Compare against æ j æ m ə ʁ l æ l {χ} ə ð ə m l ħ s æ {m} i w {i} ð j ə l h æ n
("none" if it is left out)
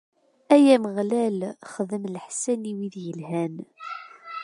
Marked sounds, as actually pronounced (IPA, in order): χ, n, i

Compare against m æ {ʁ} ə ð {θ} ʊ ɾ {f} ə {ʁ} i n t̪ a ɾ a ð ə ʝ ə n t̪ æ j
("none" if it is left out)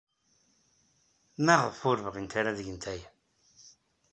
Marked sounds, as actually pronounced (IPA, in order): ʁ, f, v, ʁ

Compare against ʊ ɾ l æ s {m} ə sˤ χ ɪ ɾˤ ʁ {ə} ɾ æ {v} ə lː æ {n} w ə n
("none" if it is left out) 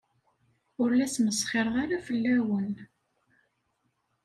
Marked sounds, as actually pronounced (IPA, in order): m, a, f, none

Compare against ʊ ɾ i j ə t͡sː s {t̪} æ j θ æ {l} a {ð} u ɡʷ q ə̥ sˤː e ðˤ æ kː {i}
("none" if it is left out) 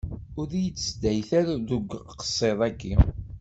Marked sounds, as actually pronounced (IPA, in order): d̪, ɾ, ð, i

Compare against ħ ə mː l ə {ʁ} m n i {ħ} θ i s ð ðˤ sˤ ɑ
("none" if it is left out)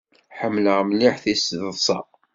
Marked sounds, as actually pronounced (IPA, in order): ʁ, ħ

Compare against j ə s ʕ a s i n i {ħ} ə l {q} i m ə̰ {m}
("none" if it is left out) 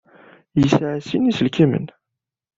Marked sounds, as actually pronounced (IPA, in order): s, k, n

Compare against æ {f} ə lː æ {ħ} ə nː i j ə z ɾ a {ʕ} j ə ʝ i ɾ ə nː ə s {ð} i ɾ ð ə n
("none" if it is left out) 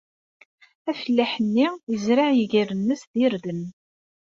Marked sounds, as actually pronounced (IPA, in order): f, ħ, ʕ, ð

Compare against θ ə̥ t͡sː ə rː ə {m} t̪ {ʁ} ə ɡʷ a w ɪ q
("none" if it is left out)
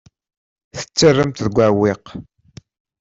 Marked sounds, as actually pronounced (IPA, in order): m, ð

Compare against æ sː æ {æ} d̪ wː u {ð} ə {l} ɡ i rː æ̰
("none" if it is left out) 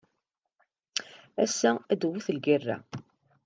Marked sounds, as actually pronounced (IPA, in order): æ, θ, l

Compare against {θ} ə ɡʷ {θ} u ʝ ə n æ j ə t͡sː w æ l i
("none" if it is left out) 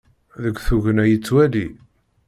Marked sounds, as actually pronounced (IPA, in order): ð, θ

